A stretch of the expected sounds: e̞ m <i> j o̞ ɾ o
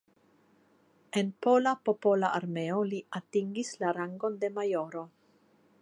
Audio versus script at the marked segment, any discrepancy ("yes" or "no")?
yes